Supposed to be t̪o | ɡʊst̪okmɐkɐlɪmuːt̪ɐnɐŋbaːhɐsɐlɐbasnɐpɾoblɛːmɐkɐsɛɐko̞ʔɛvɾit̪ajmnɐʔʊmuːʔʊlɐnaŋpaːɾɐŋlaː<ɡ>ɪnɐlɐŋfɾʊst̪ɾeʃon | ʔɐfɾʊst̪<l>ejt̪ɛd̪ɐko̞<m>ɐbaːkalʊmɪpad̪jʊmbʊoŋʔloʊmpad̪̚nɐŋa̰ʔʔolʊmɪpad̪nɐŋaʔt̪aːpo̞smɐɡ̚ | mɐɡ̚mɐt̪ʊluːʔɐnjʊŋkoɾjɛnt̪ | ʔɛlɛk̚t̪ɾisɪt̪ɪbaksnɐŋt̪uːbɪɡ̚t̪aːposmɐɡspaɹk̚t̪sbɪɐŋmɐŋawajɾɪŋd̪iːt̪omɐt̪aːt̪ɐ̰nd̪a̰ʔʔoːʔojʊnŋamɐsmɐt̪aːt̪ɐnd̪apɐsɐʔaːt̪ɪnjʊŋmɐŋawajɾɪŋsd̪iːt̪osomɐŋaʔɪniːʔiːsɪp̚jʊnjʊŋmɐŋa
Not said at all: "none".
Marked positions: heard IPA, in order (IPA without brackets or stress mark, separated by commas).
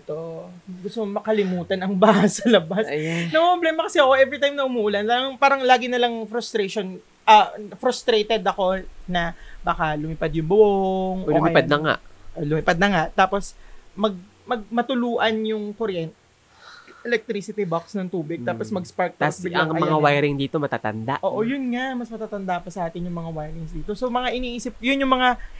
ɡ, ɾ, n